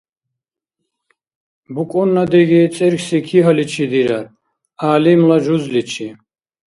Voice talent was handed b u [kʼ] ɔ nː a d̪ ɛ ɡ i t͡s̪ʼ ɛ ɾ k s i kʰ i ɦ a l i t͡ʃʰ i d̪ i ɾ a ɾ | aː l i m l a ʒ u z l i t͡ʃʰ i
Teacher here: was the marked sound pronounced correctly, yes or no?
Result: yes